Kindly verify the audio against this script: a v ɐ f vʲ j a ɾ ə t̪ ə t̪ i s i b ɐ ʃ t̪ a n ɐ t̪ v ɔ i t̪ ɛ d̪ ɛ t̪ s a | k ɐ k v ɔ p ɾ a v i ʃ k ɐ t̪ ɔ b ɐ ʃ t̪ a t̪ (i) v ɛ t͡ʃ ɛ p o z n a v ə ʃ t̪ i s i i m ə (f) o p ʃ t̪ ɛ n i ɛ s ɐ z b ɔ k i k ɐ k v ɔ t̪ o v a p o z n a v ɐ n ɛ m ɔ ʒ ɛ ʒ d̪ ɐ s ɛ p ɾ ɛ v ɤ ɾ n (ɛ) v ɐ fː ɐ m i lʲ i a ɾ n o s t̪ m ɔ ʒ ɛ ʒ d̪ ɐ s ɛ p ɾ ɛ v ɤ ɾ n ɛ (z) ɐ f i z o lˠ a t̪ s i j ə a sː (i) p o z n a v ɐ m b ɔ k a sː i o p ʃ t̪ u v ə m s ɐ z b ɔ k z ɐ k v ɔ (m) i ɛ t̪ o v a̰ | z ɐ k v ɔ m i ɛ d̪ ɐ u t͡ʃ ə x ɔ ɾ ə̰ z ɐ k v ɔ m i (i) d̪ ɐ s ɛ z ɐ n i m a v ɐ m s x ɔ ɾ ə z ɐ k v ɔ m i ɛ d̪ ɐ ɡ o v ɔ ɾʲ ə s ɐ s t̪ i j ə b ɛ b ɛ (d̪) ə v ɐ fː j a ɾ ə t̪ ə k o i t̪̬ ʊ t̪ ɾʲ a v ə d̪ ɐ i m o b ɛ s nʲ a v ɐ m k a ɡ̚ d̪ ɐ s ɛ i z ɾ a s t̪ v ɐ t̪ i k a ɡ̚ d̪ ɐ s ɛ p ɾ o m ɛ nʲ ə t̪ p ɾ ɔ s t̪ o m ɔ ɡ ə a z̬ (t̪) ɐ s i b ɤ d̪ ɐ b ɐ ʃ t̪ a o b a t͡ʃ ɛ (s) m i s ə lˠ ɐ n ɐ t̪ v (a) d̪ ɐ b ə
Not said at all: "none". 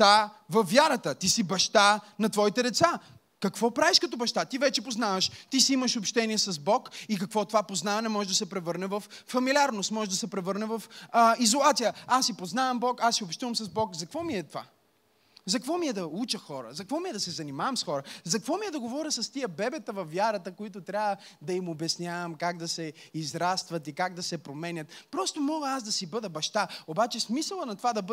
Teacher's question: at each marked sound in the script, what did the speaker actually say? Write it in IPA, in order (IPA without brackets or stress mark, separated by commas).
i, ʃ, ɛ, v, i, m, ɛ, t̪, d̪, s, a